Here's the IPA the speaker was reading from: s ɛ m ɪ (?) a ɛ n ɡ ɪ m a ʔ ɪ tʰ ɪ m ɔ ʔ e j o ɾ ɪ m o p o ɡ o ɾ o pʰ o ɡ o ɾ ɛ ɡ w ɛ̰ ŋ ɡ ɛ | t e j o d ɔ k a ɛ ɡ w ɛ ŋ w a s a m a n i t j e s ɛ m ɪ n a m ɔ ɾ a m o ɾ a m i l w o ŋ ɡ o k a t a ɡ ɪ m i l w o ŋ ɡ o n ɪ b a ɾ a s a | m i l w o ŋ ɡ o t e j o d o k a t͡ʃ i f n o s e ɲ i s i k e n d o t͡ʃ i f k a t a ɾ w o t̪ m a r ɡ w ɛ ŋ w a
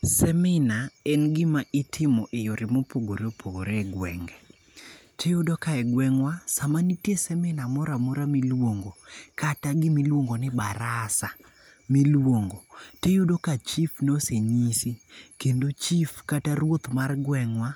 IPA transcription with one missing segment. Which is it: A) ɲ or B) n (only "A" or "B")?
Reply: B